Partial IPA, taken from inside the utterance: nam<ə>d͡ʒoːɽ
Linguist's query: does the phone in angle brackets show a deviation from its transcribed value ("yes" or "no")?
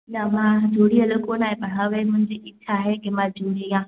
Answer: yes